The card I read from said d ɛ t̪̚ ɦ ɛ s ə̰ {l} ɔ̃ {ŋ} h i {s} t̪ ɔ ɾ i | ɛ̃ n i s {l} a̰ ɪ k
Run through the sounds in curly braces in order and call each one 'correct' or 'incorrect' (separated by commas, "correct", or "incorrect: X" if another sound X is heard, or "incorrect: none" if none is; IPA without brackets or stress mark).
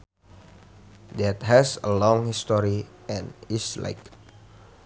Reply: correct, correct, correct, correct